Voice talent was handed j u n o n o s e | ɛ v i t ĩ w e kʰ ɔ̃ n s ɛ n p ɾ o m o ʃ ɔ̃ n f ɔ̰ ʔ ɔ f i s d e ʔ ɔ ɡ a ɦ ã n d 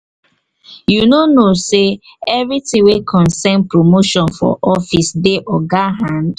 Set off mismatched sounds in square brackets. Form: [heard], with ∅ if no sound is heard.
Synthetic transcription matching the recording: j u n o n o s e | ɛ v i t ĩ w e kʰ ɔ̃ n s ɛ n p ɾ o m o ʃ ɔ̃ n f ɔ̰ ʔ ɔ f i s d e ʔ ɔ ɡ a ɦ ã n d

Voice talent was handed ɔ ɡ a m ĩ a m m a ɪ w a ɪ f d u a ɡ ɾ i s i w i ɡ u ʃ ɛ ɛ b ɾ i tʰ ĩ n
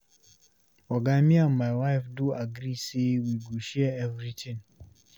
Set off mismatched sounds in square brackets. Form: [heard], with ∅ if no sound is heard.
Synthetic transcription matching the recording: ɔ ɡ a m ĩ a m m a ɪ w a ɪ f d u a ɡ ɾ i s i w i ɡ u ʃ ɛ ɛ [v] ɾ i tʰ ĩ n

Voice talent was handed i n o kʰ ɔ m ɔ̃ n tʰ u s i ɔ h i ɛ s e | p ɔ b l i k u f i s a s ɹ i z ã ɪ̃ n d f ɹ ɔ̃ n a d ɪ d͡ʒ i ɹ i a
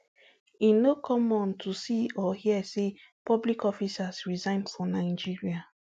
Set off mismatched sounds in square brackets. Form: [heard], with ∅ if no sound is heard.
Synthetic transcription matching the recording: i n o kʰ ɔ m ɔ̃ n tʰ u s i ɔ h i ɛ s e | p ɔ b l i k [ɔ] f i s a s ɹ i z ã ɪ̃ n d f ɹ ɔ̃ n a [∅] ɪ d͡ʒ i ɹ i a

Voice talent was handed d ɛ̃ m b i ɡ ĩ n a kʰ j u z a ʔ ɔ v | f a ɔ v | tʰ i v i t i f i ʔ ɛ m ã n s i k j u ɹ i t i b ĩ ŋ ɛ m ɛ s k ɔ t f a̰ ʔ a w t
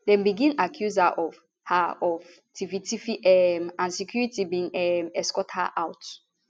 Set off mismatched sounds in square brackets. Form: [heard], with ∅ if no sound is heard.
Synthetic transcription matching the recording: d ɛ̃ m b i ɡ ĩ n a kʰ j u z a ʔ ɔ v | [h] a ɔ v | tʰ i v i t i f i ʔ ɛ m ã n s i k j u ɹ i t i b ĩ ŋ ɛ m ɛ s k ɔ t [h] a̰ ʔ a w t

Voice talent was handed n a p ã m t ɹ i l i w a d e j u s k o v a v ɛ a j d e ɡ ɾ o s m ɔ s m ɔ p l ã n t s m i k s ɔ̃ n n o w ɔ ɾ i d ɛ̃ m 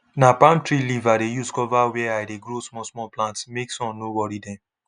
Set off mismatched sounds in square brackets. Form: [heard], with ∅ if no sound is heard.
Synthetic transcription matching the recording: n a p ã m t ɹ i l i [v] a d e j u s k [ɔ] v a [w] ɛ a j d e ɡ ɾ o s m ɔ s m ɔ p l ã n t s m [e] k s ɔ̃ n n o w ɔ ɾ i d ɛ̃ m

